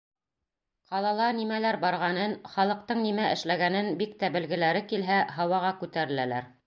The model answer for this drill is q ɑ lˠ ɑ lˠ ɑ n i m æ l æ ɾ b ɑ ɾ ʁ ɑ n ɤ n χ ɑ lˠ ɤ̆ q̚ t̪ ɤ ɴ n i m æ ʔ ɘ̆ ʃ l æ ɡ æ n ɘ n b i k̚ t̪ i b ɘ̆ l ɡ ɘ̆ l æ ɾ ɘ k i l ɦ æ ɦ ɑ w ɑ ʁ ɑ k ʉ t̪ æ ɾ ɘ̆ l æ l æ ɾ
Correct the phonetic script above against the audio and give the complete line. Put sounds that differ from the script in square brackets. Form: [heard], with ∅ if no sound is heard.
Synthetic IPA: q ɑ lˠ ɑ lˠ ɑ n i m æ l æ ɾ b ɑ ɾ ʁ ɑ n ɤ n χ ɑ lˠ ɤ̆ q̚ t̪ ɤ ɴ n i m æ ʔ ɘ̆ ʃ l æ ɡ æ n ɘ n b i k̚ t̪ [æ] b ɘ̆ l ɡ ɘ̆ l æ ɾ ɘ k i l ɦ æ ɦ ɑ w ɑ ʁ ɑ k ʉ t̪ æ ɾ ɘ̆ l æ l æ ɾ